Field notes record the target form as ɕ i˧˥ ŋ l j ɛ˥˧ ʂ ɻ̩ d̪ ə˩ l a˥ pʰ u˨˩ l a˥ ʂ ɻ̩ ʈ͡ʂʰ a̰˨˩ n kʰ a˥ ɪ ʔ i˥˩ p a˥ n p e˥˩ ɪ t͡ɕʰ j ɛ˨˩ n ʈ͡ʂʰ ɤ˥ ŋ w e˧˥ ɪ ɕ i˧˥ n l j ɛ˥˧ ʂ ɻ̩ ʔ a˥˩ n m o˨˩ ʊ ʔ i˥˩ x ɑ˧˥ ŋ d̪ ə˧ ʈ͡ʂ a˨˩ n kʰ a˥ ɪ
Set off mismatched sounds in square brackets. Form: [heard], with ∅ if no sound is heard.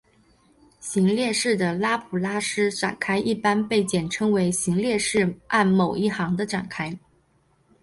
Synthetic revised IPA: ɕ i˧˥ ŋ l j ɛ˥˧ ʂ ɻ̩ d̪ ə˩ l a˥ pʰ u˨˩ l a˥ ʂ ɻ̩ [ʈ͡ʂ] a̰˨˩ n kʰ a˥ ɪ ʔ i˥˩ p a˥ n p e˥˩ ɪ [t͡ɕ] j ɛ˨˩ n ʈ͡ʂʰ ɤ˥ ŋ w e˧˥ ɪ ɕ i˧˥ [ŋ] l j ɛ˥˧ ʂ ɻ̩ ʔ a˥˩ n m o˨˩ ʊ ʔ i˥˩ x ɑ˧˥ ŋ d̪ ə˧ ʈ͡ʂ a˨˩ n kʰ a˥ ɪ